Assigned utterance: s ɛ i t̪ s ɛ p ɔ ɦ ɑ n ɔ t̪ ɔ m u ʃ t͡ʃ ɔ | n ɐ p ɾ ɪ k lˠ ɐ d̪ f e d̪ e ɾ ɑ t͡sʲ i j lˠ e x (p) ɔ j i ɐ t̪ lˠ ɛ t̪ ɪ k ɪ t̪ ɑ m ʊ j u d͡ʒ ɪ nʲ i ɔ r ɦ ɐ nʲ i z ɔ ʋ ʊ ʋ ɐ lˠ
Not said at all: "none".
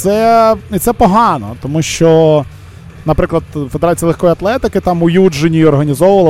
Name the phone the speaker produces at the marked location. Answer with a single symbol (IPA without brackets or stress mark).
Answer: k